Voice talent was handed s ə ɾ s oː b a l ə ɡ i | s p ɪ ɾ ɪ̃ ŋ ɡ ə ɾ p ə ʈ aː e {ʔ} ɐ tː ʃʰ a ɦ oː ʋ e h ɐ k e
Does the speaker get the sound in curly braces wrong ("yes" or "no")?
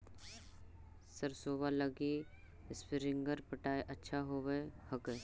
no